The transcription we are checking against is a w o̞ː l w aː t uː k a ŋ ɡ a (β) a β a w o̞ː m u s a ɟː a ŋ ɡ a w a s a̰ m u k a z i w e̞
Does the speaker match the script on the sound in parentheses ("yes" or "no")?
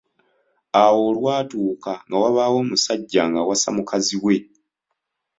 no